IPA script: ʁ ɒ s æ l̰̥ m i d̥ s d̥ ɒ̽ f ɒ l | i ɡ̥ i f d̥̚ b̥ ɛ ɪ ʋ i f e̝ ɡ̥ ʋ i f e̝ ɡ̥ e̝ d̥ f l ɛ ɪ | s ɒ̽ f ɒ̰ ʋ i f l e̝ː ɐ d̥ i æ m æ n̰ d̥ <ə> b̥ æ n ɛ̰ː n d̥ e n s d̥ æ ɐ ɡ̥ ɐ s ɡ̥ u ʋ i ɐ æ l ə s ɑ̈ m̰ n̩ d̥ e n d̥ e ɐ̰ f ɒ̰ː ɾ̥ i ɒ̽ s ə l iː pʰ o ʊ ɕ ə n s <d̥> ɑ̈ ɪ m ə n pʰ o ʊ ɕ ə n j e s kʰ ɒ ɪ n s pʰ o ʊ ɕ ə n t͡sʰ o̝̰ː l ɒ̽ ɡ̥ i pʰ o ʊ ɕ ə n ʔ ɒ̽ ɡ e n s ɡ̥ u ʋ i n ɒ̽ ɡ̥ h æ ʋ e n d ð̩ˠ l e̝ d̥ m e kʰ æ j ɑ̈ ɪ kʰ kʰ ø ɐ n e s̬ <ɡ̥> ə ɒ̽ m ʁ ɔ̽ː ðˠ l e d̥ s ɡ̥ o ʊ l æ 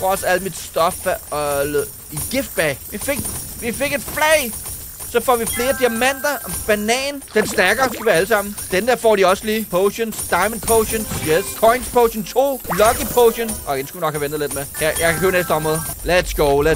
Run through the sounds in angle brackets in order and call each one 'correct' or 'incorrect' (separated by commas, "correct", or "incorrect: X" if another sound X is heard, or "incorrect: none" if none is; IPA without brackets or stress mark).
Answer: incorrect: ɐ, correct, incorrect: d̥